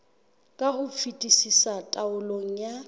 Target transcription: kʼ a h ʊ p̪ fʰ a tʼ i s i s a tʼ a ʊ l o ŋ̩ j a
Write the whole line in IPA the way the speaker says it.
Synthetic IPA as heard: kʼ a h ʊ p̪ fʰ i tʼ i s i s a tʼ a ʊ l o ŋ̩ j a